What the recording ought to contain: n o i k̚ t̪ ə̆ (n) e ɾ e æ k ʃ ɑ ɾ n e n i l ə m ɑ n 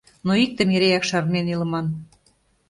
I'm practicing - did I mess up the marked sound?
yes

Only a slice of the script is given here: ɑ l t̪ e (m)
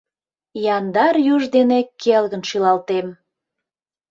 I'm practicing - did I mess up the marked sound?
no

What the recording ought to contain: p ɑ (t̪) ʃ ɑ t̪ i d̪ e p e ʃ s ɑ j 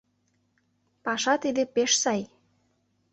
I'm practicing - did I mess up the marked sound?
yes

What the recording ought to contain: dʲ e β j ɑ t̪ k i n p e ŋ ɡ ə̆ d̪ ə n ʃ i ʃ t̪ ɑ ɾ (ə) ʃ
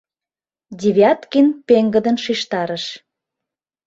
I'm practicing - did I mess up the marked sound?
no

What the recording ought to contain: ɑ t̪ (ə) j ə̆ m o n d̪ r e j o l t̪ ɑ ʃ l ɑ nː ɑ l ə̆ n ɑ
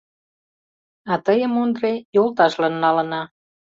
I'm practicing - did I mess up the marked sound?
no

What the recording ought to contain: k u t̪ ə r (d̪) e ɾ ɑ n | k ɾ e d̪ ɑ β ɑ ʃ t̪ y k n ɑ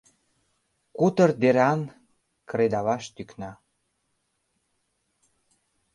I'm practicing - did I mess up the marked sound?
no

